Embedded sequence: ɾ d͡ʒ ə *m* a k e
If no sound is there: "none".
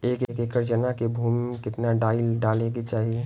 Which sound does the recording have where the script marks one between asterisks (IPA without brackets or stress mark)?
n